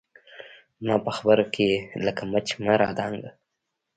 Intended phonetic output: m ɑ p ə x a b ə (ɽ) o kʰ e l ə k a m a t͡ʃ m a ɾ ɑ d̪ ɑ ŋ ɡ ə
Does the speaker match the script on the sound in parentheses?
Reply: no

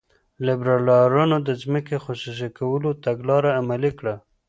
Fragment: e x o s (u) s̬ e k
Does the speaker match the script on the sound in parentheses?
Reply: yes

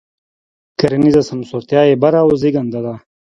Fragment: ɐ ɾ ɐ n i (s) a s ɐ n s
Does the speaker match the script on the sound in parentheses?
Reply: no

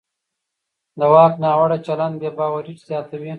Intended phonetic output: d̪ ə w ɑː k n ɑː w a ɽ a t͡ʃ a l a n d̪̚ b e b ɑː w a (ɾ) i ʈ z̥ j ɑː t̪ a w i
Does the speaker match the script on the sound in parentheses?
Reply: yes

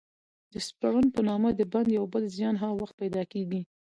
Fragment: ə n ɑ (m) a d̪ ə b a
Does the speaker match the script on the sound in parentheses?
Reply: yes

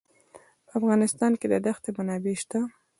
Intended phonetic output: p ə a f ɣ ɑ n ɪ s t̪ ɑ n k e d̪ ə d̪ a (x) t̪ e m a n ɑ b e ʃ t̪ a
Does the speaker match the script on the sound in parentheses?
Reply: yes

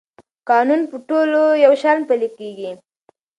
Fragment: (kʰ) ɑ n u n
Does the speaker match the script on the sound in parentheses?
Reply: no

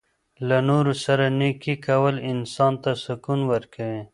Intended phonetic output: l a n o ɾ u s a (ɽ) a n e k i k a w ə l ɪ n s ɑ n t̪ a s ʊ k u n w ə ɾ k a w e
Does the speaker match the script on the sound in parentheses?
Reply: no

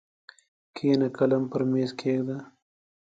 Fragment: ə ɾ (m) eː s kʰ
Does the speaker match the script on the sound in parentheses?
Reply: yes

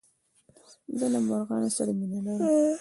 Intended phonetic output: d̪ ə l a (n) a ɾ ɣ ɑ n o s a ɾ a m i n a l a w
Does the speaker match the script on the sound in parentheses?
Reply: no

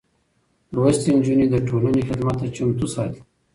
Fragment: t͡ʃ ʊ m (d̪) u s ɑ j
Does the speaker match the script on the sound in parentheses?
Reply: no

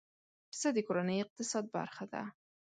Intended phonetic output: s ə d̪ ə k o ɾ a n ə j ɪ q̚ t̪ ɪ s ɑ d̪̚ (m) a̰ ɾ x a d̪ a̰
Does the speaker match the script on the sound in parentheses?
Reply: no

